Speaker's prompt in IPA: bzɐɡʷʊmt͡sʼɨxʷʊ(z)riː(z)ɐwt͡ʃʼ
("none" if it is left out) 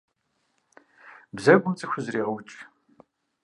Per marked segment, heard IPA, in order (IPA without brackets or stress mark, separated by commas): z, ʁ